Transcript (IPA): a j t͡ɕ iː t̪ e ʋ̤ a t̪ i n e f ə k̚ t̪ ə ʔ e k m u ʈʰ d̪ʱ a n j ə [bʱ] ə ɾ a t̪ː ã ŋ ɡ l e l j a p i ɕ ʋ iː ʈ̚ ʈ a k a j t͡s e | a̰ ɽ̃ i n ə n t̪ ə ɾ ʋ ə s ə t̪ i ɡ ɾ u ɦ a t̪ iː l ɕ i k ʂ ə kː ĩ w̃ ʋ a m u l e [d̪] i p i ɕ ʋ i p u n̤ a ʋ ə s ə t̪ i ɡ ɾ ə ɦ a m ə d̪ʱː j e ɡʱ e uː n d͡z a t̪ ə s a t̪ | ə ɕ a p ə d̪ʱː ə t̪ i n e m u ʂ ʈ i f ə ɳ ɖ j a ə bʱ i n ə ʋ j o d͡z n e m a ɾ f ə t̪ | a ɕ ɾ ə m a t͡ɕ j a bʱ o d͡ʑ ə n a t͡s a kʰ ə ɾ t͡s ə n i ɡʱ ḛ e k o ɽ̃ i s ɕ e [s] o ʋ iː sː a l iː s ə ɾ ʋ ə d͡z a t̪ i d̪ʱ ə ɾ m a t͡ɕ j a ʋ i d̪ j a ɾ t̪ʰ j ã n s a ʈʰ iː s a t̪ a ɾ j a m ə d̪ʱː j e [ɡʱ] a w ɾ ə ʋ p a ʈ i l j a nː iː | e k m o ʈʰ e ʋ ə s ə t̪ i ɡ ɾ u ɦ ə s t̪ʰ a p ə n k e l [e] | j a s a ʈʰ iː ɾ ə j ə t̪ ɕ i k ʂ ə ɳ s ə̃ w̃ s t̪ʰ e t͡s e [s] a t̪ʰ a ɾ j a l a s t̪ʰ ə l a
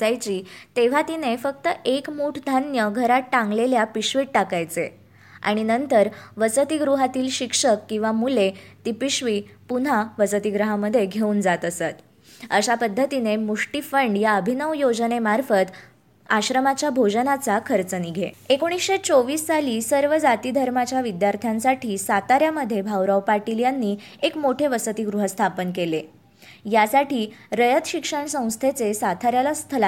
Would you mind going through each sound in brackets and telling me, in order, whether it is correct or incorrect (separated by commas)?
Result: incorrect, incorrect, incorrect, incorrect, correct, correct